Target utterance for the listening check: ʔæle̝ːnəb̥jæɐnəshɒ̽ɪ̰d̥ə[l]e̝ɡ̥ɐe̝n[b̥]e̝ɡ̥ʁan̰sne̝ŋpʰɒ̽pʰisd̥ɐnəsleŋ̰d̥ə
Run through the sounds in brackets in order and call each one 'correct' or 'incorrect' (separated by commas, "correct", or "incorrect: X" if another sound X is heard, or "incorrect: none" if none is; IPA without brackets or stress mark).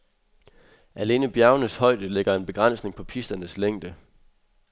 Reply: correct, correct